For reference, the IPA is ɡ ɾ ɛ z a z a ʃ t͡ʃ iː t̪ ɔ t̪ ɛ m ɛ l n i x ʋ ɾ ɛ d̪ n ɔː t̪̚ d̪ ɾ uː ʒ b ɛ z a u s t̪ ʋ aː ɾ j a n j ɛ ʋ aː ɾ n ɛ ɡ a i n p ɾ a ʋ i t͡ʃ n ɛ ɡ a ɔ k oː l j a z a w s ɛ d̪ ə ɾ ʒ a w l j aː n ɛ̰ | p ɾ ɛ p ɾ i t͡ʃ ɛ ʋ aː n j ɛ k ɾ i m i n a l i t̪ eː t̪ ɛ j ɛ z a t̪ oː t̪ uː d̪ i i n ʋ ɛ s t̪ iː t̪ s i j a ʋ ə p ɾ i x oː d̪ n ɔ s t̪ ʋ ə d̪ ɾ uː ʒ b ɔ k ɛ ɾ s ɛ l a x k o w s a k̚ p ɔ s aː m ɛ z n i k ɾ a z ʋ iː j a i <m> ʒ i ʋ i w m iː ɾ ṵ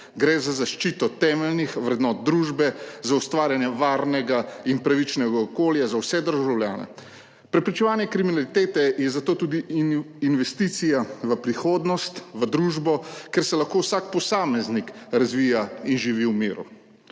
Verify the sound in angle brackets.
incorrect: n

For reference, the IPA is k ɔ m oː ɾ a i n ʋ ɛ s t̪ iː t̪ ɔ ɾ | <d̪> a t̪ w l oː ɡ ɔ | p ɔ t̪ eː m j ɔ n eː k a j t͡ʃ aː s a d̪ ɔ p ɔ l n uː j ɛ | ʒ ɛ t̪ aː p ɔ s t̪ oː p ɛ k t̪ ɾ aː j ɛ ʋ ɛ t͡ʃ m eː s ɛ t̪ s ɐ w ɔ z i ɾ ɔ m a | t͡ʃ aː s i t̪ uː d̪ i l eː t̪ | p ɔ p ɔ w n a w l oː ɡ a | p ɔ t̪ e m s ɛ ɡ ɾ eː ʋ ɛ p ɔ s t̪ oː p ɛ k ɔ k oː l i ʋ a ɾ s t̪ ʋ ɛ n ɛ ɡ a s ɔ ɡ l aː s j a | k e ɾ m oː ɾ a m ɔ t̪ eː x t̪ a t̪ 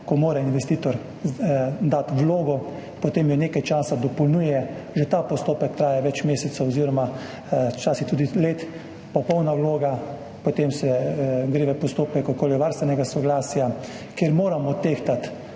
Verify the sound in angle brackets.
correct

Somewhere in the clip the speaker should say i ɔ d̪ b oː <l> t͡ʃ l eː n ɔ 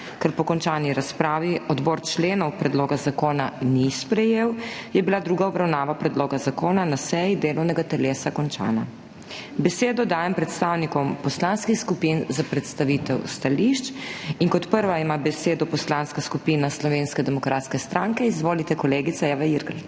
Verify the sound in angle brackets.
incorrect: ɾ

